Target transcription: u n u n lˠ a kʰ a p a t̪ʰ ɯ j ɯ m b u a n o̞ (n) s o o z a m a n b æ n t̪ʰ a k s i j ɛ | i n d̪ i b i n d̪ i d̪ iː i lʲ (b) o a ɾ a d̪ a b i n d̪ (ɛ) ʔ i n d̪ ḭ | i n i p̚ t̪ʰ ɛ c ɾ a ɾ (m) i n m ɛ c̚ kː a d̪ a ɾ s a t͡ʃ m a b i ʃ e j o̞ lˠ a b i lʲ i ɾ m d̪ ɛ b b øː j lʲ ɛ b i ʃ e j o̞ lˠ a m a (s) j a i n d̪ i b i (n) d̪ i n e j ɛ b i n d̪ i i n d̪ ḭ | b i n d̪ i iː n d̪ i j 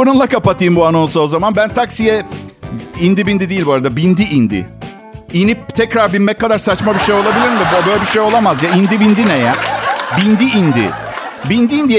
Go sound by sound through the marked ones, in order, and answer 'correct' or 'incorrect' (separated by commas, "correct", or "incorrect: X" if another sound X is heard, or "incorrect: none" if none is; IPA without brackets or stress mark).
correct, correct, incorrect: i, incorrect: b, incorrect: z, correct